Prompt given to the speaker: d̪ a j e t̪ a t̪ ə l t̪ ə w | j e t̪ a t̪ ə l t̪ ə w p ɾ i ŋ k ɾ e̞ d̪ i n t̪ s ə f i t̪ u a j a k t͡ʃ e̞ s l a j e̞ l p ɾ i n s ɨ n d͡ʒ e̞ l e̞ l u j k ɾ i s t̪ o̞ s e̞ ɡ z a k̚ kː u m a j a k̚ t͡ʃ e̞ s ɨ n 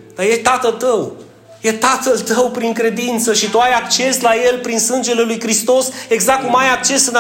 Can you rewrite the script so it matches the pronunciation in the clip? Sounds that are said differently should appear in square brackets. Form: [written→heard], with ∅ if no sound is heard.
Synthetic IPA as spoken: d̪ a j e t̪ a t̪ ə l t̪ ə w | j e t̪ a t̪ ə l t̪ ə w p ɾ i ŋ k ɾ e̞ d̪ i n t̪ s ə [f→ʃ] i t̪ u a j a k t͡ʃ e̞ s l a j e̞ l p ɾ i n s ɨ n d͡ʒ e̞ l e̞ l u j k ɾ i s t̪ o̞ s e̞ ɡ z a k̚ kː u m a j a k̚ t͡ʃ e̞ s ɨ n